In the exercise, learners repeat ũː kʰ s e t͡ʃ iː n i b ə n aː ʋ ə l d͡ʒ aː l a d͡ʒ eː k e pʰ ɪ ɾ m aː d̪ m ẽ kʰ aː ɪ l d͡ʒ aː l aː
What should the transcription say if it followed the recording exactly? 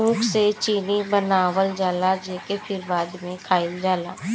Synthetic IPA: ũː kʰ s e t͡ʃ iː n i b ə n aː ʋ ə l d͡ʒ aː l a d͡ʒ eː k e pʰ ɪ ɾ b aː d̪ m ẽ kʰ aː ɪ l d͡ʒ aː l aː